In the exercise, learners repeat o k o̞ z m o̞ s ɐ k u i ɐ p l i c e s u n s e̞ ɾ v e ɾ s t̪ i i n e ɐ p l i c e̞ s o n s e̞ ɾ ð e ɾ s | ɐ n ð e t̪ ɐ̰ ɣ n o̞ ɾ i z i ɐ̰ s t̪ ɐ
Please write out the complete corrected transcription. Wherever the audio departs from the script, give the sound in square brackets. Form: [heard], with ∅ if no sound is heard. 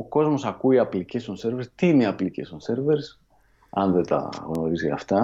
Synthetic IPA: o k o̞ z m o̞ s ɐ k u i ɐ p l i c e s [o] n s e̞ ɾ v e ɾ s t̪ i i n e ɐ p l i c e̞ s o n s e̞ ɾ [v] e ɾ s | ɐ n ð e t̪ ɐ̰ ɣ n o̞ ɾ i z i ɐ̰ [f] t̪ ɐ